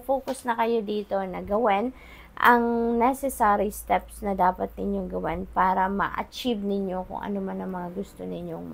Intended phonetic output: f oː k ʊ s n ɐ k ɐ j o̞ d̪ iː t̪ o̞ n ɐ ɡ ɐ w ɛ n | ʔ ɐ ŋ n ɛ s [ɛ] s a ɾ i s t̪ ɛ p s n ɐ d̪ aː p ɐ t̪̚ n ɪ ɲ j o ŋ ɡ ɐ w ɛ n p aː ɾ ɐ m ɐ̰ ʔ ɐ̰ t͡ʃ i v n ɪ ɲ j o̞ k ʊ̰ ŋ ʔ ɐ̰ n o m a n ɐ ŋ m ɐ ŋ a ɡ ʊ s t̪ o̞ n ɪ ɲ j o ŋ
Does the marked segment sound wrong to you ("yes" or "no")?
no